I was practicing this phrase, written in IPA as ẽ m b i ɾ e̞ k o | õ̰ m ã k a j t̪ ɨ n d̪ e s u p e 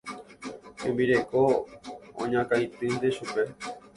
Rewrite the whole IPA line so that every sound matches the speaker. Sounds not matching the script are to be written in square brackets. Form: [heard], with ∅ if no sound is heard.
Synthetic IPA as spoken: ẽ m b i ɾ e̞ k o | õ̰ [ɲ] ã k a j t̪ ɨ n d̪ e [ʃ] u p e